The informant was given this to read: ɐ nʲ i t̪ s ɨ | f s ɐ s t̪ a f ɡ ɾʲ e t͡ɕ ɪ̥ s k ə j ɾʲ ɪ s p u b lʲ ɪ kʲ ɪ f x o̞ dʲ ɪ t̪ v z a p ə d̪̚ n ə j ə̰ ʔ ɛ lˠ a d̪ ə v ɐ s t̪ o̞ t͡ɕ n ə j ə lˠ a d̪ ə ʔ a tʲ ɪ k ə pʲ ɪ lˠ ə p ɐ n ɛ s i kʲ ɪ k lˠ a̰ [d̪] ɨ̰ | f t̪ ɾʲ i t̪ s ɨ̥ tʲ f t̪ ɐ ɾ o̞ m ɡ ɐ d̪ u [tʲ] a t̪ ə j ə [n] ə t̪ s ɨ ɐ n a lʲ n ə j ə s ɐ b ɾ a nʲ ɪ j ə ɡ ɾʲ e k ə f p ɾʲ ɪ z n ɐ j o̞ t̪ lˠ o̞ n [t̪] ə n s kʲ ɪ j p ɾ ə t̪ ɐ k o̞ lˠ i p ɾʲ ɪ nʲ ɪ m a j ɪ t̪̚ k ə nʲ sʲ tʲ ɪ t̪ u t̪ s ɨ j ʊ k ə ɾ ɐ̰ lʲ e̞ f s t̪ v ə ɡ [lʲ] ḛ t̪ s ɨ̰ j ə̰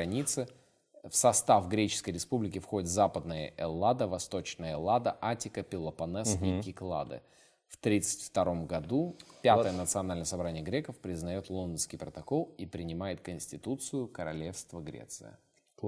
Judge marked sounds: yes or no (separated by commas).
yes, no, yes, no, no